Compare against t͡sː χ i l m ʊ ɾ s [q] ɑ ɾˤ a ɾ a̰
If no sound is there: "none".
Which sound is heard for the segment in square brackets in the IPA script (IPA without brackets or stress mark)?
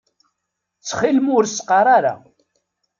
q